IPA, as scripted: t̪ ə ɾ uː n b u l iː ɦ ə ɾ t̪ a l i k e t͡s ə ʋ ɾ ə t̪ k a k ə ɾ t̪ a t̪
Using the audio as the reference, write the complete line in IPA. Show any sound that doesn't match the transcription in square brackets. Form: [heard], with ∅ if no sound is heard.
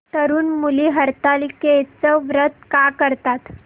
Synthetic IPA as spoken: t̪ ə ɾ uː n [m] u l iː ɦ ə ɾ t̪ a l i k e t͡s ə ʋ ɾ ə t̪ k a k ə ɾ t̪ a t̪